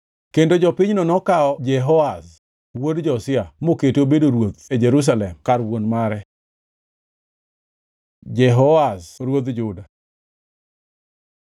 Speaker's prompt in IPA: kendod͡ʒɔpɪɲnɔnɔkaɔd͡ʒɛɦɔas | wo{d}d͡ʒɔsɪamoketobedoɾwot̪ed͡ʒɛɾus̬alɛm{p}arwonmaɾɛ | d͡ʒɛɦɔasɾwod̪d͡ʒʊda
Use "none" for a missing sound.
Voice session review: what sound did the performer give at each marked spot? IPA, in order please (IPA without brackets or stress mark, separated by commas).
d, k